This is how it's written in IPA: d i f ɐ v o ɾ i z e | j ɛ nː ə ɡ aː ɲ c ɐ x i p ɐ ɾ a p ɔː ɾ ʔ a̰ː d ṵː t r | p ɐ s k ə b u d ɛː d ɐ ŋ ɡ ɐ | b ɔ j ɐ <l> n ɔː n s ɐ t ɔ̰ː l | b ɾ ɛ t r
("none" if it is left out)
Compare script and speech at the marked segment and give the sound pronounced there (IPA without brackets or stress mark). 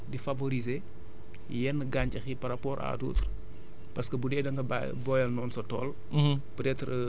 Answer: l